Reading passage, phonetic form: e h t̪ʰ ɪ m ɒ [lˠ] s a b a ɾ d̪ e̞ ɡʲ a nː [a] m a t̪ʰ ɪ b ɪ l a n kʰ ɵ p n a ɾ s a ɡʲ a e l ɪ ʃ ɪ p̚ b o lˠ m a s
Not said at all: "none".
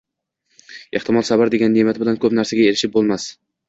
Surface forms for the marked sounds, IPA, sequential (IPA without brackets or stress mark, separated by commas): lˠ, e